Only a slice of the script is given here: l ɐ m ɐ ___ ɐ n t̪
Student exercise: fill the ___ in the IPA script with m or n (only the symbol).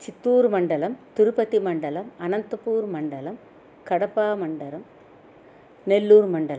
n